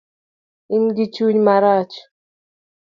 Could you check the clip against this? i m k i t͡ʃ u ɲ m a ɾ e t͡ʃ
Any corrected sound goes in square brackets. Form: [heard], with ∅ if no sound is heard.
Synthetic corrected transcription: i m [ɡ] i t͡ʃ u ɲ m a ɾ [a] t͡ʃ